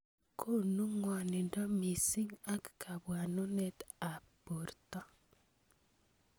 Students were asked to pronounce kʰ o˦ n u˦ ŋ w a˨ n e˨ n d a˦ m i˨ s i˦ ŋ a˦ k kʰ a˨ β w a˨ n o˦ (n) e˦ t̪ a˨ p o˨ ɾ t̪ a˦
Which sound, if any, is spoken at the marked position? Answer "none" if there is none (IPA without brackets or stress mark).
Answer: n